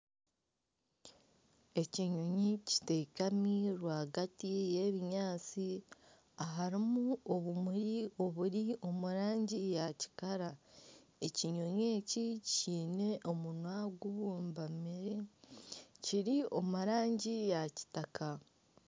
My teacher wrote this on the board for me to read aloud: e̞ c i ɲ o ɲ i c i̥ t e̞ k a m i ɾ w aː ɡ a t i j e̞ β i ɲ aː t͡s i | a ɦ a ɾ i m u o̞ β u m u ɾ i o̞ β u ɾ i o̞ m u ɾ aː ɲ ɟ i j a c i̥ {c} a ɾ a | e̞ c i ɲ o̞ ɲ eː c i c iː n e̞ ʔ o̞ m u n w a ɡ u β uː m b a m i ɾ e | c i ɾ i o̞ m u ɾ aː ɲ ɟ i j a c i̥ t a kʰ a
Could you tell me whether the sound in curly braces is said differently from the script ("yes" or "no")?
yes